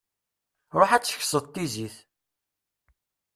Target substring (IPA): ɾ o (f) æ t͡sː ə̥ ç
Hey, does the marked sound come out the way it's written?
no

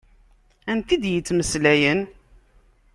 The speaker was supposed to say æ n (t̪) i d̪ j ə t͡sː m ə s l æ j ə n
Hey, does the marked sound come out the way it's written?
yes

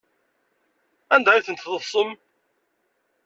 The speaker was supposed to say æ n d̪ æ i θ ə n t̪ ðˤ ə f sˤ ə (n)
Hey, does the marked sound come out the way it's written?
no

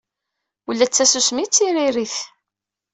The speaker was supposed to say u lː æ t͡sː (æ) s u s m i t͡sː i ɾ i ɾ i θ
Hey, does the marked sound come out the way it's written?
yes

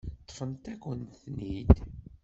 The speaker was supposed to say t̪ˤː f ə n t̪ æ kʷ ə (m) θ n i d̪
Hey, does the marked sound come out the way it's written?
no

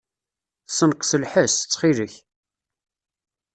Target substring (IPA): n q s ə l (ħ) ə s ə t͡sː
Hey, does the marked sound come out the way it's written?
yes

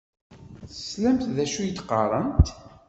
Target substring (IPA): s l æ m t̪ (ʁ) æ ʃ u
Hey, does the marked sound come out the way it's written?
no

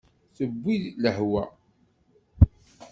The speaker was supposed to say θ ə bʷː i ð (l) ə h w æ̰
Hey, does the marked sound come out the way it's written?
yes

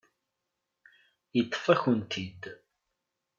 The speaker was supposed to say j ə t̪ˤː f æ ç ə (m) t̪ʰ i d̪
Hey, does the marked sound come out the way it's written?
no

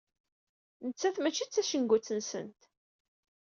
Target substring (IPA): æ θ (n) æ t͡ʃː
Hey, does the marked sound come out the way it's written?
no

